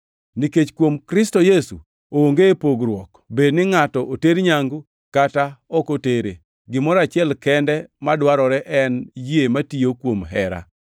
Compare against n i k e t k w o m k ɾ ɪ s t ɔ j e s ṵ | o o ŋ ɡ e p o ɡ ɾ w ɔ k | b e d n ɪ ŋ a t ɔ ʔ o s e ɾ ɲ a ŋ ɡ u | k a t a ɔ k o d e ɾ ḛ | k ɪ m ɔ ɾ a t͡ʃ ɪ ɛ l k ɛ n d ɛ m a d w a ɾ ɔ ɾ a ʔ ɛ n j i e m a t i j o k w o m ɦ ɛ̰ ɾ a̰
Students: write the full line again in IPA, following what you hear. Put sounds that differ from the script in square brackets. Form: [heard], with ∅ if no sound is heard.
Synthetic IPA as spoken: n i k e [t͡ʃ] k w o m k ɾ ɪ s t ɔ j e s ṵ | o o ŋ ɡ e p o ɡ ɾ w ɔ k | b e d n ɪ ŋ a t ɔ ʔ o [t] e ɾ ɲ a ŋ ɡ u | k a t a ɔ k o [t] e ɾ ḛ | [ɡ] ɪ m ɔ ɾ a t͡ʃ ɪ ɛ l k ɛ n d ɛ m a d w a ɾ ɔ ɾ [ɛ] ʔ ɛ n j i e m a t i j o k w o m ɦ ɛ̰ ɾ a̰